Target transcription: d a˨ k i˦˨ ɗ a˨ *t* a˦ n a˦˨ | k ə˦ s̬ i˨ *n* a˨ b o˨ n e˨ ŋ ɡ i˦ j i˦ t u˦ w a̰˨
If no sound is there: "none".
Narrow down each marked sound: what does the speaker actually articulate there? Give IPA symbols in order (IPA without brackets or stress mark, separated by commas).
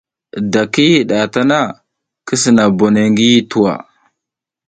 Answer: t, n